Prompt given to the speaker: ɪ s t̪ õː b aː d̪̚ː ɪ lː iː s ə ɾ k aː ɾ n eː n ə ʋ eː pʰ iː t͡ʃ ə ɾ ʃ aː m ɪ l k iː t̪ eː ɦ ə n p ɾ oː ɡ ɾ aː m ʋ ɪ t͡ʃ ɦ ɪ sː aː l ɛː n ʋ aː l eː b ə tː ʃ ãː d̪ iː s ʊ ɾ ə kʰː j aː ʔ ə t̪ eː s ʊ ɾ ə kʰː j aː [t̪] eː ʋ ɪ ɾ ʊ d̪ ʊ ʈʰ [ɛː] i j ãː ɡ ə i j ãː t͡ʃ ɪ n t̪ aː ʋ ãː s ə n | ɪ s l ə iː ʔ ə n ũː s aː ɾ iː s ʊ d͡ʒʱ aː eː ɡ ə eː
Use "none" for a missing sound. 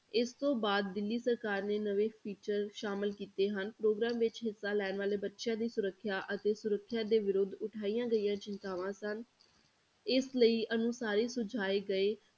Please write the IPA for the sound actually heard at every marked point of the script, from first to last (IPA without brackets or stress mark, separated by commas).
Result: d̪, aː